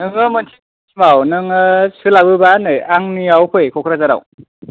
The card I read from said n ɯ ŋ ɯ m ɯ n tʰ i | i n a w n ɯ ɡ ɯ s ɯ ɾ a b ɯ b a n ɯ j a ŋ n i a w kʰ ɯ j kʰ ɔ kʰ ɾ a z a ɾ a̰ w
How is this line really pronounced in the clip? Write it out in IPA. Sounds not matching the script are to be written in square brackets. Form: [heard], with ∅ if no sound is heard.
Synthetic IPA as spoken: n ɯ ŋ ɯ m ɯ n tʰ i | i [m] a w n ɯ [ŋ] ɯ s ɯ [l] a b ɯ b a n ɯ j a ŋ n i a w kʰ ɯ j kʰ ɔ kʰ ɾ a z a ɾ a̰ w